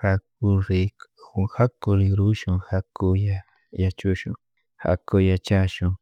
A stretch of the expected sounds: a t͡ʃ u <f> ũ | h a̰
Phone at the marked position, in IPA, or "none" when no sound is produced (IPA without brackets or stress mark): ʃ